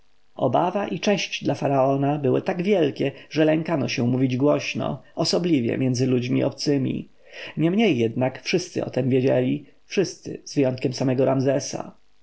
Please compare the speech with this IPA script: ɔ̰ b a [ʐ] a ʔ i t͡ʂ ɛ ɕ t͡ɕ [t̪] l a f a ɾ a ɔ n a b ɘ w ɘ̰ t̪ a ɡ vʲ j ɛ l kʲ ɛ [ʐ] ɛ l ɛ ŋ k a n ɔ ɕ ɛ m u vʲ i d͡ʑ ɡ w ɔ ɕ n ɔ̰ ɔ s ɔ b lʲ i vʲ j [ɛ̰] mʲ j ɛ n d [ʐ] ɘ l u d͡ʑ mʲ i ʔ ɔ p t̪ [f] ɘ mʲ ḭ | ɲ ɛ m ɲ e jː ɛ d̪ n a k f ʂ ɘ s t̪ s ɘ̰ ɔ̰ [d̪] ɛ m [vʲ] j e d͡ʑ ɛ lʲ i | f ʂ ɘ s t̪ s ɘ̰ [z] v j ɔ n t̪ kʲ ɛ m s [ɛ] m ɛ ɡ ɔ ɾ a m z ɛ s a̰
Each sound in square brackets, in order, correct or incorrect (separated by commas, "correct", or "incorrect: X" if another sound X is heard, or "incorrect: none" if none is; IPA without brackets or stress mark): incorrect: v, incorrect: d̪, correct, correct, incorrect: z, incorrect: s, incorrect: t̪, correct, correct, incorrect: a